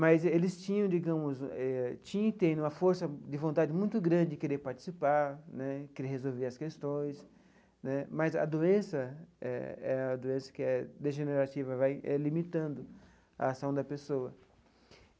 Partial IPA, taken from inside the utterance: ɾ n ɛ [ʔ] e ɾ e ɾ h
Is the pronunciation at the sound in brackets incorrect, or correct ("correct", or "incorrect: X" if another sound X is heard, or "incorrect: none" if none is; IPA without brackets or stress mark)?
incorrect: k